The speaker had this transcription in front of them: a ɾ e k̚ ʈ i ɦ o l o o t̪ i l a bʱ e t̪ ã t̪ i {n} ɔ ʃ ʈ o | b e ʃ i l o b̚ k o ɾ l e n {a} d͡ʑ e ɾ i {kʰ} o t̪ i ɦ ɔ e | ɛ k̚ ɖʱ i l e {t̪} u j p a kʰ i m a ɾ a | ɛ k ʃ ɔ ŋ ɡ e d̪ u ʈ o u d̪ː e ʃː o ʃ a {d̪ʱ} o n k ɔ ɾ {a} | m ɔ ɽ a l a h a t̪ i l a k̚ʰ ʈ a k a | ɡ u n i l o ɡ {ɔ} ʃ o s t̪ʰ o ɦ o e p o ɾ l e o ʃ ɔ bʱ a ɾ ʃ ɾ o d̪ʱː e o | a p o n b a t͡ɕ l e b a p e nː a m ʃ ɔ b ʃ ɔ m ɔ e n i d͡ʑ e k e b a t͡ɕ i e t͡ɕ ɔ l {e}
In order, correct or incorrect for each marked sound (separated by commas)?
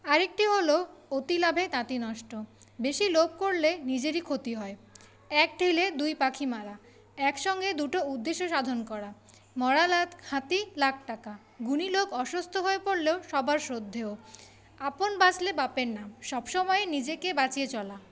correct, incorrect, correct, incorrect, correct, correct, correct, incorrect